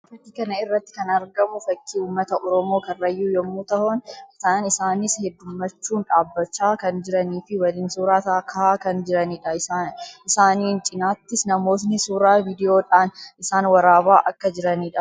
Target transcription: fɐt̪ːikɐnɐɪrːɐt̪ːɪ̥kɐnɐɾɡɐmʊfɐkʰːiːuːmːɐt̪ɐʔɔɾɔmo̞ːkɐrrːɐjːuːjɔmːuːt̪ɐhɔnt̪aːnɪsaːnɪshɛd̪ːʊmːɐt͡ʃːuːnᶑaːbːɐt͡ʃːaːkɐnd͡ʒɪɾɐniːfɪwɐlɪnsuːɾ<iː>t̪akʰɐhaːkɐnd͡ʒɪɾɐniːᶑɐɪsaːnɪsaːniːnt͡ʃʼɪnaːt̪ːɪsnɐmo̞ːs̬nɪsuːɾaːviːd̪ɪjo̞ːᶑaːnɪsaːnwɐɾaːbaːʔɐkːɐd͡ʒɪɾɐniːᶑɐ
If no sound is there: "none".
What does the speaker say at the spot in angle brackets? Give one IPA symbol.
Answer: aː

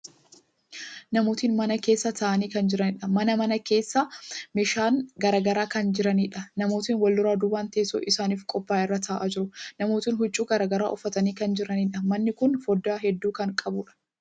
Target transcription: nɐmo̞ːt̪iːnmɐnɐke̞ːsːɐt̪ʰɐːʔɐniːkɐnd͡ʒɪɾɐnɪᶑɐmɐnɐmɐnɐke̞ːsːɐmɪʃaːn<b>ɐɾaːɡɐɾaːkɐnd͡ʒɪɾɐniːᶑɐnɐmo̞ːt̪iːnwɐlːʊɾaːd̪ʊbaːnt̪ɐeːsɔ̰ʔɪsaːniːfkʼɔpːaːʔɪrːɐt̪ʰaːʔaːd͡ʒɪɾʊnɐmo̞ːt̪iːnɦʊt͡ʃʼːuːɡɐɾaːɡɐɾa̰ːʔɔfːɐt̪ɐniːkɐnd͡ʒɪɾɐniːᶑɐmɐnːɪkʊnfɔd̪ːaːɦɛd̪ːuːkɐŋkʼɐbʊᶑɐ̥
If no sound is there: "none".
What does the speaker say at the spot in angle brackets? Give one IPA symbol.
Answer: ɡ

